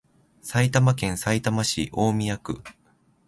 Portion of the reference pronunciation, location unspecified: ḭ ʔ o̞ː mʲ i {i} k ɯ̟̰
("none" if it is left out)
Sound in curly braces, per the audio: a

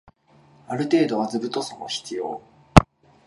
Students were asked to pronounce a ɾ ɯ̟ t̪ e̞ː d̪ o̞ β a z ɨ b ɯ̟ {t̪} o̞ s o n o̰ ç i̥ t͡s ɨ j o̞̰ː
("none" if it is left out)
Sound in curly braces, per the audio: t̪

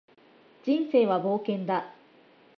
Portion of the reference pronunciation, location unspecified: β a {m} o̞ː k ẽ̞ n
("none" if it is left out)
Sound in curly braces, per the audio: b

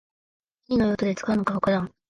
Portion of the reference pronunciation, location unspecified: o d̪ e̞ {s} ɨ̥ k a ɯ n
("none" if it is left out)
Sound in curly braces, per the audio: t͡s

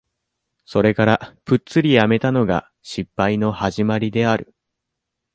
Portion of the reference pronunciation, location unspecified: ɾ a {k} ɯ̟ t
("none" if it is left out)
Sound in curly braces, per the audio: p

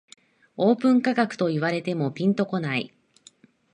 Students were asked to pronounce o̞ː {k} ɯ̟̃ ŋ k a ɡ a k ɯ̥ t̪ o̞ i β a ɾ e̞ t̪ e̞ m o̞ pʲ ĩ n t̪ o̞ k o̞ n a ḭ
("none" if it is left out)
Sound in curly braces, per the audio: p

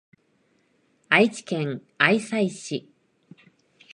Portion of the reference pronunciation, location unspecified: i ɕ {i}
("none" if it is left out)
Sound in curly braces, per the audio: i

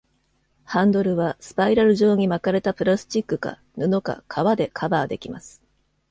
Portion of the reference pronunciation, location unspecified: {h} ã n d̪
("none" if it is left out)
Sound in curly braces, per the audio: h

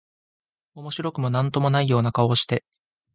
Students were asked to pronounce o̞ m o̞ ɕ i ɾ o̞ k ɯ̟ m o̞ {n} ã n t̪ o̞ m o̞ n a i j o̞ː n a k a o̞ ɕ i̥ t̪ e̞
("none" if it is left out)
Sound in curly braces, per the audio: n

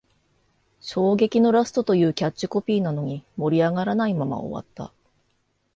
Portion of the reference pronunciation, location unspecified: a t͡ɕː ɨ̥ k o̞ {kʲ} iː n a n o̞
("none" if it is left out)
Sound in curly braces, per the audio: pʲ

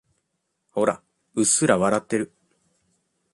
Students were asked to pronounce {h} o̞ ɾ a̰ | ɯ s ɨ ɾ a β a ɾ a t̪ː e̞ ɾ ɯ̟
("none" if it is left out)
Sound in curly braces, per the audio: h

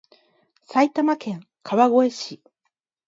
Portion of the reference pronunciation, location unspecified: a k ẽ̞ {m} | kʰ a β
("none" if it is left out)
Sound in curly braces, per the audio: ŋ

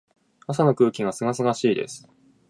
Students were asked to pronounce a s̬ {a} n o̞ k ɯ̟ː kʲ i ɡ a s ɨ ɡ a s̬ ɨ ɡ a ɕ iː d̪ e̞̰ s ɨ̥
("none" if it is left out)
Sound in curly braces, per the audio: a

